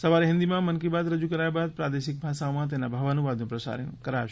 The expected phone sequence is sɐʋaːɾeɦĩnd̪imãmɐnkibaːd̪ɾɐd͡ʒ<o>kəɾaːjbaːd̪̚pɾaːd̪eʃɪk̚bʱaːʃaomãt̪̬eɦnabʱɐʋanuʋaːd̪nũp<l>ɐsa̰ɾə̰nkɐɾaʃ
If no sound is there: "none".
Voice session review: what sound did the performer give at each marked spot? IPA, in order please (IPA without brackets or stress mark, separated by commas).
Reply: u, ɾ